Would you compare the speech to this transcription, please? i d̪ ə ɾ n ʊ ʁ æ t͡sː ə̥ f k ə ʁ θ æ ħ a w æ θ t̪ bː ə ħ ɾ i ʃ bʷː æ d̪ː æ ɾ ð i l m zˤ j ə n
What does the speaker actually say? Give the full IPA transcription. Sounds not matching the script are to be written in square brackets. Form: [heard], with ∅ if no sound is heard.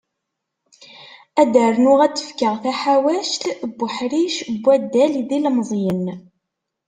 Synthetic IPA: [æ] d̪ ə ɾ n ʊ ʁ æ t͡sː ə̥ f k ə ʁ θ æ ħ a w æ [ʃ] t̪ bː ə ħ ɾ i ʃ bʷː æ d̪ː æ [l] ð i l m zˤ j ə n